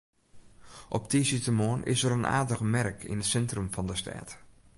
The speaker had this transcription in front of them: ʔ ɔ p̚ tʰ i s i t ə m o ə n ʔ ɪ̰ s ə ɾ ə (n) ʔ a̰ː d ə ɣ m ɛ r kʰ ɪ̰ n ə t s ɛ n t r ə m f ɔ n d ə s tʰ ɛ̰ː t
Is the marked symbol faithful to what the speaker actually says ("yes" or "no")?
yes